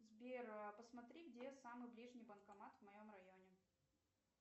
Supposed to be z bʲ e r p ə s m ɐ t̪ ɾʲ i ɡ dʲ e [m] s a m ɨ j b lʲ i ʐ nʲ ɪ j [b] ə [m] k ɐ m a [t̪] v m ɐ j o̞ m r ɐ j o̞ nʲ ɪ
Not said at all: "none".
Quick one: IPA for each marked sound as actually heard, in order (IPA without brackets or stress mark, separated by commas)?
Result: none, b, n, t̪